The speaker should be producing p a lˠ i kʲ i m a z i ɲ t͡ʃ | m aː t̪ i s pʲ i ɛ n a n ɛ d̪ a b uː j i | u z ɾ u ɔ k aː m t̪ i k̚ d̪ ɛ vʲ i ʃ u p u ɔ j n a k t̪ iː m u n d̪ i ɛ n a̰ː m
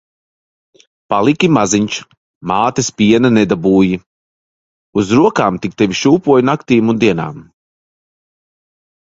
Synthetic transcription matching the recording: p a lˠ i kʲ i m a z i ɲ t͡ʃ | m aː t̪ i s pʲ i ɛ n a n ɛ d̪ a b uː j i | u z ɾ u ɔ k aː m t̪ i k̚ t̪ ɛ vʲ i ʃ uː p u ɔ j n a k t̪ iː m u n d̪ i ɛ n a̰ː m